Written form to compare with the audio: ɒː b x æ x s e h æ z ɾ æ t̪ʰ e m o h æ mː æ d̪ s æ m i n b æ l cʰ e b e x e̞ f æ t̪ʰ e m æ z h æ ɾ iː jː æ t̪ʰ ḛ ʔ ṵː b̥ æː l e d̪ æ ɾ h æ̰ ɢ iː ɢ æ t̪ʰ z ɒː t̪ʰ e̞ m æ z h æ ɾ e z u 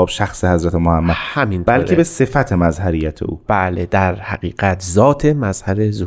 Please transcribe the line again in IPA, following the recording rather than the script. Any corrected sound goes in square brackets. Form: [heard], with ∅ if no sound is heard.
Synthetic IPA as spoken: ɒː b [ʃ] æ x s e h æ z ɾ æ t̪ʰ e m o h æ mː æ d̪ [h] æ m i n b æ l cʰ e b e [s] e̞ f æ t̪ʰ e m æ z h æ ɾ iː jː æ t̪ʰ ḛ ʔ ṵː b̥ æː l e d̪ æ ɾ h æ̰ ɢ iː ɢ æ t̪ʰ z ɒː t̪ʰ e̞ m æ z h æ ɾ e z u